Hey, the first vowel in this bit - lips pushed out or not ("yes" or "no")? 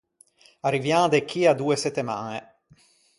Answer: no